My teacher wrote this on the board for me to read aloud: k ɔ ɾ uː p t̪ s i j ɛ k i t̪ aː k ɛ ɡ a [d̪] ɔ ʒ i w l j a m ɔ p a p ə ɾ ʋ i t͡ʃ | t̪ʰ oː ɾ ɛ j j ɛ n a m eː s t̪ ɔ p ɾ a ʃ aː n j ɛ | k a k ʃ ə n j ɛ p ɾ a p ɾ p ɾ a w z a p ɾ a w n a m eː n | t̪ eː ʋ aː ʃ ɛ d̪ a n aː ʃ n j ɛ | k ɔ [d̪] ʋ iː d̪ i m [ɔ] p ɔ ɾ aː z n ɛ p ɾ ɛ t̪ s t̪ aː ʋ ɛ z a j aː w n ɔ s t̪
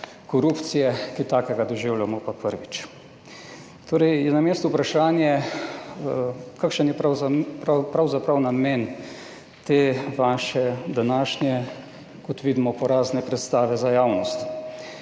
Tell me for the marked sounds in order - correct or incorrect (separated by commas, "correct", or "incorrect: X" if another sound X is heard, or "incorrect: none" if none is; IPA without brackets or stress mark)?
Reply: correct, incorrect: t̪, correct